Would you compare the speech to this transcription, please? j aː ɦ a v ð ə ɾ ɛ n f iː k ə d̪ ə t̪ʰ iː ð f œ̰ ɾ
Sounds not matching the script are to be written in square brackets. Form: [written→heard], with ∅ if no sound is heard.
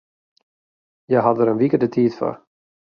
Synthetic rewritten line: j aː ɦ a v ð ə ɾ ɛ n [f→v] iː k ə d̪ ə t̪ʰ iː ð f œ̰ ɾ